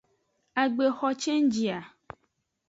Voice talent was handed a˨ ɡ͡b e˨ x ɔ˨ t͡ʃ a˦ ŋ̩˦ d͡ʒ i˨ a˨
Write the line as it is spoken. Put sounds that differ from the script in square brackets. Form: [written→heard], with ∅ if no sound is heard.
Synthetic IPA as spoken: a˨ ɡ͡b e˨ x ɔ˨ t͡ʃ [a˦→e˦] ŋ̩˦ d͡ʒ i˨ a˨

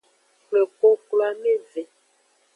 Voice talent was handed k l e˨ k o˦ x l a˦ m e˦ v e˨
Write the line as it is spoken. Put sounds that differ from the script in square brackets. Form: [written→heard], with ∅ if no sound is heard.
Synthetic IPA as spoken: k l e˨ k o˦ [x→k] l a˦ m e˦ v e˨

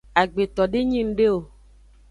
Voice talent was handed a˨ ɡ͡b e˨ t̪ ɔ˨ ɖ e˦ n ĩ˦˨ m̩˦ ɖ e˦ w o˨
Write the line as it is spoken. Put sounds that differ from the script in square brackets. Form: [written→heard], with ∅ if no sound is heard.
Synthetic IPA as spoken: a˨ ɡ͡b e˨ t̪ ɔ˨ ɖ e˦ [n→ɲ] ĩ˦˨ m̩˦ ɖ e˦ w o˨

